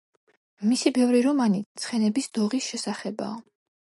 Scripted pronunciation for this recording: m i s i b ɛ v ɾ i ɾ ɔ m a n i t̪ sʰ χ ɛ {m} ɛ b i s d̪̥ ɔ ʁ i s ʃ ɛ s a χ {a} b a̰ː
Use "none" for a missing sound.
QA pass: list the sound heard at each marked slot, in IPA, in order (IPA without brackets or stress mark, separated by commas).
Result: n, ɛ